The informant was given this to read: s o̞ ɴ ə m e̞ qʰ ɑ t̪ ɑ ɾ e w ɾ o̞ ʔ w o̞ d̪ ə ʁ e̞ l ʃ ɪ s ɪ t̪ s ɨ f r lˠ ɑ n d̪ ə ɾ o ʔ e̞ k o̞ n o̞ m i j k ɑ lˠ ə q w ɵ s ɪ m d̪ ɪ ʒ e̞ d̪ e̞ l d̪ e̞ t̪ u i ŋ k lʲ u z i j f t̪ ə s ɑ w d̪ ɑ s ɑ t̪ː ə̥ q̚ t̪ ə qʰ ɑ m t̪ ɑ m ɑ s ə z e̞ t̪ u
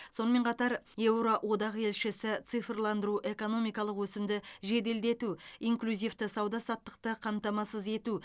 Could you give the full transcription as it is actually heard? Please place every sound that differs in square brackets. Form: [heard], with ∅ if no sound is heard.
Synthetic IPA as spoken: s o̞ [n] ə m e̞ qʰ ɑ t̪ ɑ ɾ e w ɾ o̞ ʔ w o̞ d̪ [ɑ] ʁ e̞ l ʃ ɪ s ɪ t̪ s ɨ f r lˠ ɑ n d̪ ə ɾ [u] ʔ e̞ k o̞ n o̞ m i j k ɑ lˠ ə q w ɵ s ɪ m d̪ ɪ ʒ e̞ d̪ e̞ l d̪ e̞ t̪ u i ŋ k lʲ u z i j f t̪ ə s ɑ w d̪ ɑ s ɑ t̪ː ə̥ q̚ t̪ ə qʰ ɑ m t̪ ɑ m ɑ s ə z e̞ t̪ u

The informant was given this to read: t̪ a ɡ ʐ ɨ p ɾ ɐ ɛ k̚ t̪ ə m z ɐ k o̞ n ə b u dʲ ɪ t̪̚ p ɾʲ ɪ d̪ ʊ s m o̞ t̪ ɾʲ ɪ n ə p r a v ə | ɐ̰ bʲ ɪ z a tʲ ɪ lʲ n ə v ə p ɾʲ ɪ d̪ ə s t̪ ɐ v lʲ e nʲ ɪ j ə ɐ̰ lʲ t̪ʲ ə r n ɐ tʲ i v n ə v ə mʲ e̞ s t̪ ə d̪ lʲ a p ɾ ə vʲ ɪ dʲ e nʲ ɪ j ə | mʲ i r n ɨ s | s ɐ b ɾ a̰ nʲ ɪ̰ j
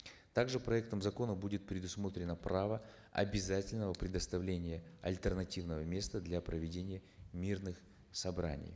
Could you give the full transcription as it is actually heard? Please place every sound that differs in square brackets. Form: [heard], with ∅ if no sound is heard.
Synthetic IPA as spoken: t̪ a ɡ ʐ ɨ p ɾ ɐ ɛ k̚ t̪ ə m z ɐ k o̞ n ə b u dʲ ɪ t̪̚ p ɾʲ ɪ d̪ ʊ s m o̞ t̪ ɾʲ ɪ n ə p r a v ə | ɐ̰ bʲ ɪ z a tʲ ɪ lʲ n ə v ə p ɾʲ ɪ d̪ ə s t̪ ɐ v lʲ e nʲ ɪ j ə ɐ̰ lʲ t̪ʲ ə r n ɐ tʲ i v n ə v ə mʲ e̞ s t̪ ə d̪ lʲ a p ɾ ə vʲ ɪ dʲ e nʲ ɪ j ə | mʲ i r n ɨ [x] | s ɐ b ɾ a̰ nʲ ɪ̰ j

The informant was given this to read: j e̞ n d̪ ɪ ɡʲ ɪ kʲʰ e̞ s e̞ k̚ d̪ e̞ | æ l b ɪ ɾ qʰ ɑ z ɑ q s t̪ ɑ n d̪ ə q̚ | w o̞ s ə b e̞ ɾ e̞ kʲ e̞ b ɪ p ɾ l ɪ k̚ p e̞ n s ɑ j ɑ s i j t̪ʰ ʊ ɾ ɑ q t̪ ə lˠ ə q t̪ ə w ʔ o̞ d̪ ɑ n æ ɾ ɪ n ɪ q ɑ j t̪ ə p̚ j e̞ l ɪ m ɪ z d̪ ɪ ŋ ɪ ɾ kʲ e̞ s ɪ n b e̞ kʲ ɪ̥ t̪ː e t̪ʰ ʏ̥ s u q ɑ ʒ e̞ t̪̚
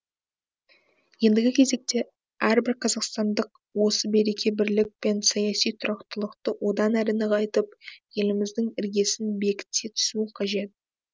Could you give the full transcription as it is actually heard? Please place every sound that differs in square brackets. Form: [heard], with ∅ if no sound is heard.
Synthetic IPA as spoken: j e̞ n d̪ ɪ ɡʲ ɪ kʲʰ e̞ [z] e̞ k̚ [t̪] e̞ | æ [ɾ] b ɪ ɾ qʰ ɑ z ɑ q s t̪ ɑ n d̪ ə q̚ | w o̞ s ə b e̞ ɾ e̞ kʲ e̞ b ɪ [∅] ɾ l ɪ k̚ p e̞ n s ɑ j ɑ s i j t̪ʰ ʊ ɾ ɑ q t̪ ə lˠ ə q t̪ ə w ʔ o̞ d̪ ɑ n æ ɾ ɪ n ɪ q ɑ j t̪ ə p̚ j e̞ l ɪ m ɪ z d̪ ɪ ŋ ɪ ɾ [ɡʲ] e̞ s ɪ n b e̞ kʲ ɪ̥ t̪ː e t̪ʰ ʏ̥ s u [qʰ] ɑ ʒ e̞ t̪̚

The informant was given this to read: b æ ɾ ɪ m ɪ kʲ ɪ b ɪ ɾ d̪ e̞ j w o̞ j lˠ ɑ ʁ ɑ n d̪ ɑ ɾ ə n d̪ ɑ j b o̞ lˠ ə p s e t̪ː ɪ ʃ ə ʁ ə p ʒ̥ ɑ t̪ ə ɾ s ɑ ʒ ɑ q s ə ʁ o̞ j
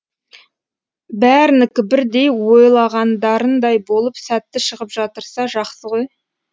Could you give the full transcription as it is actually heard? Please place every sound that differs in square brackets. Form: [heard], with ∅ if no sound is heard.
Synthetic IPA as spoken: b æ ɾ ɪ [n] ɪ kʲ ɪ b ɪ ɾ d̪ e̞ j w o̞ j lˠ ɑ ʁ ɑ n d̪ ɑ ɾ ə n d̪ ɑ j b o̞ lˠ ə p s [æ] t̪ː ɪ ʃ ə ʁ ə p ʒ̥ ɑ t̪ ə ɾ s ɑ ʒ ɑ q s ə ʁ o̞ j

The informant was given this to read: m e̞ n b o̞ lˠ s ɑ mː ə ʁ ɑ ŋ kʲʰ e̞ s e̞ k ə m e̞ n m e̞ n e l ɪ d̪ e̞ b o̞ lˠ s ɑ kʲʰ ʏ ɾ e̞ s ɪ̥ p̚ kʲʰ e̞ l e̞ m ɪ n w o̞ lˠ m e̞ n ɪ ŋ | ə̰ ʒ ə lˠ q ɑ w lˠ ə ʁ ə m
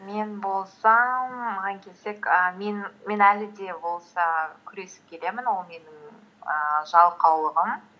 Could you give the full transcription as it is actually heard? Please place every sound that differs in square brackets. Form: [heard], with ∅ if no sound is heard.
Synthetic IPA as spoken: m e̞ n b o̞ lˠ s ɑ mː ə ʁ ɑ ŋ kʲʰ e̞ s e̞ k ə m e̞ n m e̞ n [æ] l ɪ d̪ e̞ b o̞ lˠ s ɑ kʲʰ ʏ ɾ e̞ s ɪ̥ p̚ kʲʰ e̞ l e̞ m ɪ n w o̞ lˠ m e̞ n ɪ ŋ | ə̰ ʒ [ɑ] lˠ q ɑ w lˠ ə ʁ ə m

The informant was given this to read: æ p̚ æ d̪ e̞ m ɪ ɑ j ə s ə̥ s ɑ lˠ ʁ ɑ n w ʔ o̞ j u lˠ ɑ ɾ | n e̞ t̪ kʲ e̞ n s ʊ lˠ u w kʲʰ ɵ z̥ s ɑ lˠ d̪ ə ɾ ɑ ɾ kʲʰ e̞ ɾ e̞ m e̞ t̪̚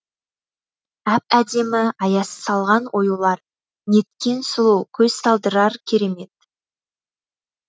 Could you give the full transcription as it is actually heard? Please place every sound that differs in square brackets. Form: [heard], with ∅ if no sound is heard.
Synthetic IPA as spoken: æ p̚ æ d̪ e̞ m ɪ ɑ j [ɑ] s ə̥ s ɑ lˠ ʁ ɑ n w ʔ o̞ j u lˠ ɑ ɾ | n e̞ t̪ kʲ e̞ n s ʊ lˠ u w kʲʰ ɵ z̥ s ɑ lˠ d̪ ə ɾ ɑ ɾ kʲʰ e̞ ɾ e̞ m e̞ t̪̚

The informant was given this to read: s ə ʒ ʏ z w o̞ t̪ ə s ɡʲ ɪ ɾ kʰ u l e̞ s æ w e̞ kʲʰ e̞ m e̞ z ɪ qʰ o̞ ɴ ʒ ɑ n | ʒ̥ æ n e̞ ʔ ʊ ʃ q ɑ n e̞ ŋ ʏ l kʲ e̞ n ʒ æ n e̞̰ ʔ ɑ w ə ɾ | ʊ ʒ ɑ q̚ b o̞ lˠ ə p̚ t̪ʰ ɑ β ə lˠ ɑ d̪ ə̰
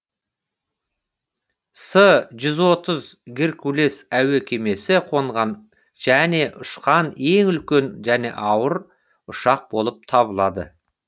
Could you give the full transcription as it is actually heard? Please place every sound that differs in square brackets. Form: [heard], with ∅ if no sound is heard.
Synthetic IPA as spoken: s ə ʒ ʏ z w o̞ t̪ ə [z] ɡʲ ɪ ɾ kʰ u l e̞ s æ w e̞ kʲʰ e̞ m e̞ [s] ɪ qʰ o̞ ɴ [ʁ] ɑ n | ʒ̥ æ n e̞ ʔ ʊ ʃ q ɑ n e̞ ŋ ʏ l kʲ e̞ n ʒ æ n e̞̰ ʔ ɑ w ə ɾ | ʊ [ʃ] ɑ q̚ b o̞ lˠ ə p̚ t̪ʰ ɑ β ə lˠ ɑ d̪ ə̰

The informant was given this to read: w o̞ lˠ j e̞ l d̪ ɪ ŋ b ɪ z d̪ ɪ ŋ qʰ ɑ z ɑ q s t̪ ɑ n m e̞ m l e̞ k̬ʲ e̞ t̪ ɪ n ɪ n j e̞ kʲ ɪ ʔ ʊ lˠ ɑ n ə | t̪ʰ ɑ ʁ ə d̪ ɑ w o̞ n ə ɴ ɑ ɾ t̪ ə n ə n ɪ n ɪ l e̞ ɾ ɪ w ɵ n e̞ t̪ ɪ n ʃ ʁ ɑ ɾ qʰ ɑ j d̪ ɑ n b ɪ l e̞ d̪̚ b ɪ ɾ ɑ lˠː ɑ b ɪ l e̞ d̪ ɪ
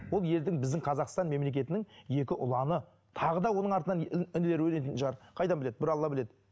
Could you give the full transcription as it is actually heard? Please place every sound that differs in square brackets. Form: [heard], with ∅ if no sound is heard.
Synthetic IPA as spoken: w o̞ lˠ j e̞ l d̪ ɪ ŋ b ɪ z d̪ ɪ ŋ qʰ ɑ z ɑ q s t̪ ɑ n m e̞ m l e̞ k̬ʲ e̞ t̪ ɪ n ɪ [ŋ] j e̞ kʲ ɪ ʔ ʊ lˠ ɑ n ə | t̪ʰ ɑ ʁ ə d̪ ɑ w o̞ n ə ɴ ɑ ɾ t̪ ə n [ɑ] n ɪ n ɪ l e̞ ɾ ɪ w ɵ n e̞ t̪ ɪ n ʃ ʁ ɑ ɾ qʰ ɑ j d̪ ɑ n b ɪ l e̞ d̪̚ b ɪ ɾ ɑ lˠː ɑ b ɪ l e̞ d̪ ɪ

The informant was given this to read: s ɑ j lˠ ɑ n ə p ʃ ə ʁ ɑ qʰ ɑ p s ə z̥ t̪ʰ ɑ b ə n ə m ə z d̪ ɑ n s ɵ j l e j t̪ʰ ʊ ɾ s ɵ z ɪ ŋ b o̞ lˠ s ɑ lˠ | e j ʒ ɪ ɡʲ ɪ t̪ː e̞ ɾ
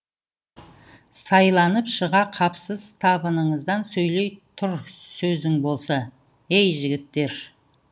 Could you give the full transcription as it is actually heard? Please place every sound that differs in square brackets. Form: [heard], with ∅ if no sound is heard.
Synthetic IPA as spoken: s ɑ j lˠ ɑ n ə p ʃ ə ʁ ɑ qʰ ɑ p s ə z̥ t̪ʰ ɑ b ə n ə [ɴ] ə z d̪ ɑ n s ɵ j l e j t̪ʰ ʊ ɾ s ɵ z ɪ ŋ b o̞ lˠ s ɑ [∅] | e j ʒ ɪ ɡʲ ɪ t̪ː e̞ ɾ

